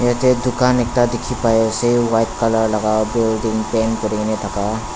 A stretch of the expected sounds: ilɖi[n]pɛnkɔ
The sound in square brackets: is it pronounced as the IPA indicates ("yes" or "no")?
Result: no